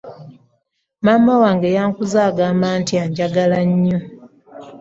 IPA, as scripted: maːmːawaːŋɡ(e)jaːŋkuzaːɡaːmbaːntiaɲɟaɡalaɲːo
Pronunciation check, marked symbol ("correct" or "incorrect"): correct